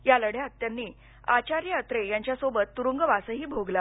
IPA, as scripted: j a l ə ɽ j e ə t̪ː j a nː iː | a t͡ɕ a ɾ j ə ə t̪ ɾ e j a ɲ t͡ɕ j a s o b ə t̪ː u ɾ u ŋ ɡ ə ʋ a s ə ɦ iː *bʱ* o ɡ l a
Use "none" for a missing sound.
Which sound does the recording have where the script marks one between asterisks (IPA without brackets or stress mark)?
bʱ